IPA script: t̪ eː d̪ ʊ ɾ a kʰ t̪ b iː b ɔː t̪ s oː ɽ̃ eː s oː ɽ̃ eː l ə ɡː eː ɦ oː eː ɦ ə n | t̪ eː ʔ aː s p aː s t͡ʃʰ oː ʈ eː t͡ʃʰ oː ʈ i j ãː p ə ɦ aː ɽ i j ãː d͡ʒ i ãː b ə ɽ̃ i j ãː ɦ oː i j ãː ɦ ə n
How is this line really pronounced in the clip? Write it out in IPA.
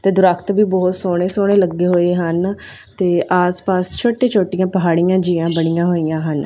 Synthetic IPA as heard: t̪ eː d̪ ʊ ɾ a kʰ t̪ b iː b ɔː t̪ s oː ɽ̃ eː s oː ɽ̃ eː l ə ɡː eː ɦ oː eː ɦ ə n | t̪ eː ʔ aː s p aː s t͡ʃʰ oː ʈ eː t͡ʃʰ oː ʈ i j ãː p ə ɦ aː ɽ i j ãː d͡ʒ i ãː b ə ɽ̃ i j ãː ɦ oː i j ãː ɦ ə n